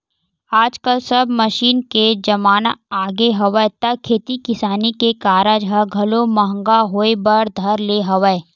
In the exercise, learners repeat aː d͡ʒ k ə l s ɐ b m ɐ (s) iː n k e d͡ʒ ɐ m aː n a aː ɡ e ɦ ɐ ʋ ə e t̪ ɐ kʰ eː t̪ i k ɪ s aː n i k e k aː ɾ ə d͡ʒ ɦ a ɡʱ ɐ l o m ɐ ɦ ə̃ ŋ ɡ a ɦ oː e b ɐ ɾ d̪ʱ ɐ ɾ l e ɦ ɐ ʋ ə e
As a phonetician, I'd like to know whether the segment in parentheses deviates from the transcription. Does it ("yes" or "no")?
yes